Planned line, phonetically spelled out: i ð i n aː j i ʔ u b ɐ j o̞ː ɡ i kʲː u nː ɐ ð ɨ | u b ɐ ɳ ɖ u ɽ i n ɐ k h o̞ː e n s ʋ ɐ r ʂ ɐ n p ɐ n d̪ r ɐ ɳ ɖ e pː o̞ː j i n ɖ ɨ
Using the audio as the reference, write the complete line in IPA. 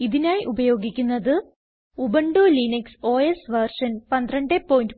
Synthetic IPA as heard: i ð i n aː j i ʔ u b ɐ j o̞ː ɡ i kʲː u nː ɐ ð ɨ | u b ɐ ɳ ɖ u l i n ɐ k s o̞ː e s ʋ ɐ r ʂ ɐ n p ɐ n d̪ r ɐ ɳ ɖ e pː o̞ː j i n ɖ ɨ